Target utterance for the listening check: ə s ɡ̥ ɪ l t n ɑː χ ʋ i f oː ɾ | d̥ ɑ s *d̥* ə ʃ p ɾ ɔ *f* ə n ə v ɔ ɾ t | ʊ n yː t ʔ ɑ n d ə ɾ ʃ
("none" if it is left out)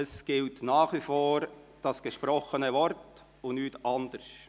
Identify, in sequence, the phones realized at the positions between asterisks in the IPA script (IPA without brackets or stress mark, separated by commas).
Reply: ɡ̥, χ